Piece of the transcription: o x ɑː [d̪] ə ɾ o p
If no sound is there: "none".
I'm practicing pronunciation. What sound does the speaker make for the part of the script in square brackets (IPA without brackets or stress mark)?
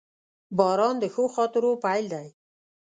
t̪